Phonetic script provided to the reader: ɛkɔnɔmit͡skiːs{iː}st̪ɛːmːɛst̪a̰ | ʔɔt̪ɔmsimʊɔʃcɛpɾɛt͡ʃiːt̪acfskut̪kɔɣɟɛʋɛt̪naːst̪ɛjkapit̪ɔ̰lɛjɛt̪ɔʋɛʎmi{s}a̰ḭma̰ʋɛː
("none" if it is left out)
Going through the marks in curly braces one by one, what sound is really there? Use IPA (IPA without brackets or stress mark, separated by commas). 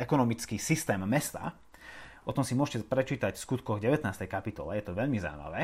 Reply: i, z